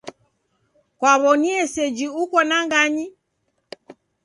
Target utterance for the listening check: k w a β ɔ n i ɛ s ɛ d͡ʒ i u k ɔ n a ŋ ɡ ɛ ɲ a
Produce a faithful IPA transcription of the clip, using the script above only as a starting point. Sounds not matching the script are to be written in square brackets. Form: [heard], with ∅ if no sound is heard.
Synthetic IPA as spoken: k w a β ɔ n i ɛ s ɛ d͡ʒ i u k ɔ n a ŋ ɡ [a] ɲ [i]